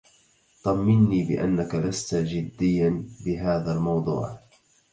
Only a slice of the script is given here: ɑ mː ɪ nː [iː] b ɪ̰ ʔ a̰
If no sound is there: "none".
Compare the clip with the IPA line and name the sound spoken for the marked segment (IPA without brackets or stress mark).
iː